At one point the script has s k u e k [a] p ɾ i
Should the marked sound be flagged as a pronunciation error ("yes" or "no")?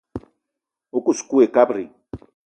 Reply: no